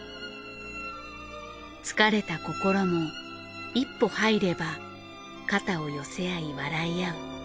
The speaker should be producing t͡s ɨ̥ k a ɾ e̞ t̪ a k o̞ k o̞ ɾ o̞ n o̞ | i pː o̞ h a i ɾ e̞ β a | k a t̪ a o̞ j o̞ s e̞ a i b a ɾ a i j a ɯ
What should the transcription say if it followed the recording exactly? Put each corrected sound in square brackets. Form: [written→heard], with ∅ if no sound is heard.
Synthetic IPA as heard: t͡s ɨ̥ k a ɾ e̞ t̪ a k o̞ k o̞ ɾ o̞ [n→m] o̞ | i pː o̞ h a i ɾ e̞ [β→b] a | k a t̪ a o̞ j o̞ s e̞ a i [b→β] a ɾ a i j a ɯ